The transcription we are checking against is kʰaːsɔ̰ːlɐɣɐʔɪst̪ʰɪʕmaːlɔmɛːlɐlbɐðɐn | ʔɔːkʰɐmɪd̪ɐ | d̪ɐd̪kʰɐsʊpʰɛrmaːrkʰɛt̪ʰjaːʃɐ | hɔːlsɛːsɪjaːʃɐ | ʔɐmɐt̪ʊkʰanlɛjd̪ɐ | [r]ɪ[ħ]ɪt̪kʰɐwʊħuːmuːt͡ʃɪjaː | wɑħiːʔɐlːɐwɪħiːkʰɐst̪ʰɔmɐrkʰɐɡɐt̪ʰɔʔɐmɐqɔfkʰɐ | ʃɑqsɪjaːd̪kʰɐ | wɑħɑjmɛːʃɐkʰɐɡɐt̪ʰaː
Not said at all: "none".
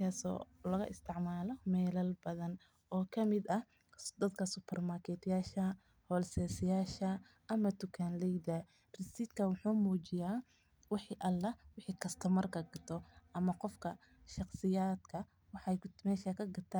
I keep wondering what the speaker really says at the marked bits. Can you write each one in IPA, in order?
r, s

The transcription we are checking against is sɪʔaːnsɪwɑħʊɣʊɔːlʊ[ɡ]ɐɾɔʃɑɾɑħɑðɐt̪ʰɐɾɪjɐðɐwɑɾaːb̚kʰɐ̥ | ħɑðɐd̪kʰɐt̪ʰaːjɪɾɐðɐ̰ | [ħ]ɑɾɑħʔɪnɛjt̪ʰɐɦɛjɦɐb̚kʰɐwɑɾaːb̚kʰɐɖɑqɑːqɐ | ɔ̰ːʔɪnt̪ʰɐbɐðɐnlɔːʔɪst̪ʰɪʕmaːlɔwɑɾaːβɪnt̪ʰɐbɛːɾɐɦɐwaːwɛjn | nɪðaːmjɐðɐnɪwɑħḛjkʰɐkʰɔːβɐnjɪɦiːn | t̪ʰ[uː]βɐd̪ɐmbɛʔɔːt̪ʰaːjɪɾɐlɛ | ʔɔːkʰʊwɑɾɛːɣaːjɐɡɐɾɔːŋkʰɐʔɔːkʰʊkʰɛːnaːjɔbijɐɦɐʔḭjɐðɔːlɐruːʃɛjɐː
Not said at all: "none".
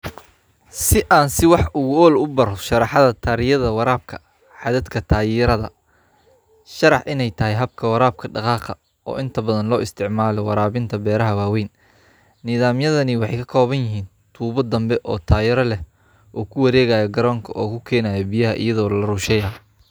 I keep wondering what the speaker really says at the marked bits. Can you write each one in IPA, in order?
b, ʃ, uː

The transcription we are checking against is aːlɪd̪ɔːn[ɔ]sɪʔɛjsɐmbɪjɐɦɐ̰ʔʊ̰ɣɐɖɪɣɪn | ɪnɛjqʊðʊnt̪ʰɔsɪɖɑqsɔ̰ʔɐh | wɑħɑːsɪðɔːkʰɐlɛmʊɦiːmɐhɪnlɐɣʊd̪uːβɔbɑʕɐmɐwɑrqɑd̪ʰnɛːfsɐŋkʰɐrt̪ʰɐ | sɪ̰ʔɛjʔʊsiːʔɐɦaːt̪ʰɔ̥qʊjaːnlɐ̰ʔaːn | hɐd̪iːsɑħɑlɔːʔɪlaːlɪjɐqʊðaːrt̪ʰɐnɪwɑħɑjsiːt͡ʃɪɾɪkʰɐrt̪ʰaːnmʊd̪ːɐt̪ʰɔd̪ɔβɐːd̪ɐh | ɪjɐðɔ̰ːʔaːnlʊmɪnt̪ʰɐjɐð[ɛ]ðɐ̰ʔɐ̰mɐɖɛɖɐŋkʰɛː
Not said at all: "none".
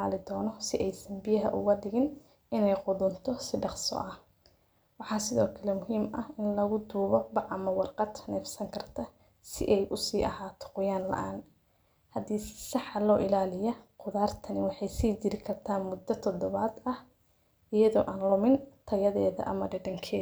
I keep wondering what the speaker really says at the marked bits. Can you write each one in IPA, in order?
ɔ, ɛː

